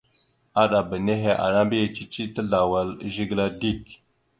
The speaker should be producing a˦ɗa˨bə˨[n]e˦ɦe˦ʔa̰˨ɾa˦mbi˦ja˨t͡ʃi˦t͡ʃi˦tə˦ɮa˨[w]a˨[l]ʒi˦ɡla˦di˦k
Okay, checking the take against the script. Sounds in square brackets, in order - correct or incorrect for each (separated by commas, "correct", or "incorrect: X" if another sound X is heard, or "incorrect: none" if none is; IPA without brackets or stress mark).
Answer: correct, correct, correct